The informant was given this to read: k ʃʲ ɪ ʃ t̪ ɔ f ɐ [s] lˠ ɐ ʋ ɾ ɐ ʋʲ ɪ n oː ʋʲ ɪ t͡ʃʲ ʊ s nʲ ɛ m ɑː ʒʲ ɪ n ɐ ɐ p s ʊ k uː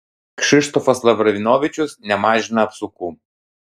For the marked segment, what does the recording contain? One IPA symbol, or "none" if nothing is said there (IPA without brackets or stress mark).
s